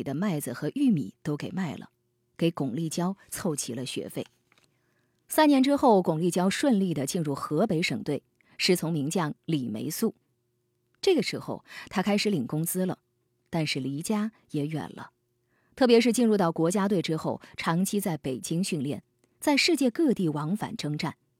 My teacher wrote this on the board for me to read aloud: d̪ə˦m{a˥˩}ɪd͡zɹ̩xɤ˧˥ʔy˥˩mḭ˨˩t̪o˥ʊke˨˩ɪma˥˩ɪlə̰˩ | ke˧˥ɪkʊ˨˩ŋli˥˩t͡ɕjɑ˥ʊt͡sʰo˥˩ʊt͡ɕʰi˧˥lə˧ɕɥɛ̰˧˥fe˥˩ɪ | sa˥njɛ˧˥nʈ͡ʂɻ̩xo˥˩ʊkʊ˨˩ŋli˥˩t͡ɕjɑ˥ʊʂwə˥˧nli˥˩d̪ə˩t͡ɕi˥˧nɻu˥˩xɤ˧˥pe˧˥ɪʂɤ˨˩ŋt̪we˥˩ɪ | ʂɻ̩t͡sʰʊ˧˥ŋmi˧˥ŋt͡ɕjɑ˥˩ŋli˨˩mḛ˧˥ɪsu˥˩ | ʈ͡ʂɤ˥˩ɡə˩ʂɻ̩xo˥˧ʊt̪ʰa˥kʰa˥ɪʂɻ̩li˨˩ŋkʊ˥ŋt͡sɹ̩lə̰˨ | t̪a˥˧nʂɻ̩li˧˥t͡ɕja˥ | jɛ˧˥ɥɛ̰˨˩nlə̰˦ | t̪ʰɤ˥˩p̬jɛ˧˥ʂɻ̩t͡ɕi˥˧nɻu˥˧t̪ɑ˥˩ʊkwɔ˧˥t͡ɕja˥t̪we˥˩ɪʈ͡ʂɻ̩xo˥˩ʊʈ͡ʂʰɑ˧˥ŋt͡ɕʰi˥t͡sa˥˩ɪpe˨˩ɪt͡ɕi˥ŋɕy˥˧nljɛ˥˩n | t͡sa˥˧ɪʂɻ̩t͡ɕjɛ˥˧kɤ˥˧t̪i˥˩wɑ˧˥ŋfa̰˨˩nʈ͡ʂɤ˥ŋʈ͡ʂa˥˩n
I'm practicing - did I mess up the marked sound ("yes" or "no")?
no